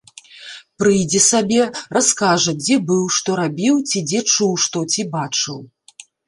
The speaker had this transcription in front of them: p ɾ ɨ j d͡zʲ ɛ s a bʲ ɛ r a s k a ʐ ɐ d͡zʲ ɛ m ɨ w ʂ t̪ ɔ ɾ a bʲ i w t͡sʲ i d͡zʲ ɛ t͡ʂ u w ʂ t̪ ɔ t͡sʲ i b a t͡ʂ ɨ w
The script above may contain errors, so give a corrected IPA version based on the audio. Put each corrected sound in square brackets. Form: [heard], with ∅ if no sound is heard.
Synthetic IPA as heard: p ɾ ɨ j d͡zʲ ɛ s a bʲ ɛ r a s k a ʐ ɐ d͡zʲ ɛ [b] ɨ w ʂ t̪ ɔ ɾ a bʲ i w t͡sʲ i d͡zʲ ɛ t͡ʂ u w ʂ t̪ ɔ t͡sʲ i b a t͡ʂ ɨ w